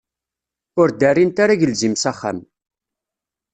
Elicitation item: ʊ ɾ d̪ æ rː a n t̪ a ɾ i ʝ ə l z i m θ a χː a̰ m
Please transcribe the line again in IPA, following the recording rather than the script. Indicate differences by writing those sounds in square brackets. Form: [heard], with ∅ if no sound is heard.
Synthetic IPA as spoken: ʊ ɾ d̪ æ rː [i] n t̪ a ɾ [a] ʝ ə l z i m [s] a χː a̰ m